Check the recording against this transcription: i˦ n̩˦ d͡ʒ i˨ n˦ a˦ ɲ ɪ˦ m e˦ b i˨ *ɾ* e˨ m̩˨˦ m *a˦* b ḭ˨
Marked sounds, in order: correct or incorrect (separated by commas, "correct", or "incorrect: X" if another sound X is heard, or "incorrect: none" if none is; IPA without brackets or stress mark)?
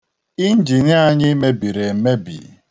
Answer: correct, incorrect: e˦